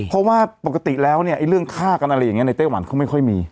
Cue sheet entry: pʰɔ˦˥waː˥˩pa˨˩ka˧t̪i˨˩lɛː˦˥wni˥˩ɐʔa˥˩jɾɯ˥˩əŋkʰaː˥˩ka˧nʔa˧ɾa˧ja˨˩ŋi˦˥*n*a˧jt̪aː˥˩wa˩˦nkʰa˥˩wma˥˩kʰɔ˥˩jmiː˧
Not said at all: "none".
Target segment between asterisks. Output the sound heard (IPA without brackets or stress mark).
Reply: n